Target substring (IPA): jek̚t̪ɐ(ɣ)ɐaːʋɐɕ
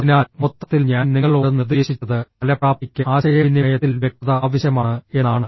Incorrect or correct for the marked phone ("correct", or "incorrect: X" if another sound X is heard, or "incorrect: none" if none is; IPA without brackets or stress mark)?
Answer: incorrect: ð